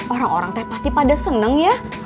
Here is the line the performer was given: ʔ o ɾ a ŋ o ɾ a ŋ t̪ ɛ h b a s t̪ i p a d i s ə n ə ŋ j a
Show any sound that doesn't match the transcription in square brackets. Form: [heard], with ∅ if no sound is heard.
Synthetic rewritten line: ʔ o ɾ a ŋ o ɾ a ŋ t̪ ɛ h [p] a s t̪ i p a d [a] s ə n ə ŋ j a